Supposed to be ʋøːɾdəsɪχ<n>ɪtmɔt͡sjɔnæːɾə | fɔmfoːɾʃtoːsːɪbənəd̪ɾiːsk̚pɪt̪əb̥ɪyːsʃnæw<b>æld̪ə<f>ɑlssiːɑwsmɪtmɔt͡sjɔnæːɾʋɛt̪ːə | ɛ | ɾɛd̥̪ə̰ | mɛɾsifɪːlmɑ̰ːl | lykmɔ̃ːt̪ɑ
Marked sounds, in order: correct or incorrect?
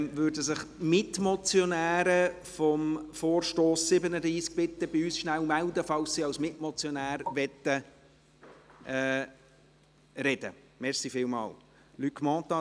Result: incorrect: m, incorrect: m, correct

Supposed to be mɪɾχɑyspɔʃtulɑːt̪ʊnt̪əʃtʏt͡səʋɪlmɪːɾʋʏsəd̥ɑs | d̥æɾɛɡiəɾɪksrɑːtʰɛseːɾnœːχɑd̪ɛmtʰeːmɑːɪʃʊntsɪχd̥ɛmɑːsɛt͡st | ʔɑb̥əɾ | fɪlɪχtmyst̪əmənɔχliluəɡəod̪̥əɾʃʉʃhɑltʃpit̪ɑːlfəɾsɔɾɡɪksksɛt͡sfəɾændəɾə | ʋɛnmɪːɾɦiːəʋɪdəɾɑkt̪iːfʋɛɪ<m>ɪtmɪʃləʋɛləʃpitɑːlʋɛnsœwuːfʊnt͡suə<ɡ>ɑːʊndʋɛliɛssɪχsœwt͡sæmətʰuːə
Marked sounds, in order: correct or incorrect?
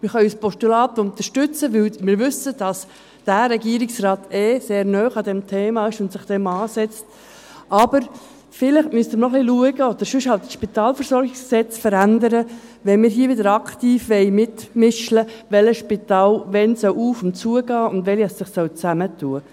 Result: correct, correct

